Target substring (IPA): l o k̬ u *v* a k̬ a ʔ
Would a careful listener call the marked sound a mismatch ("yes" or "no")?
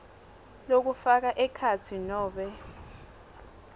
yes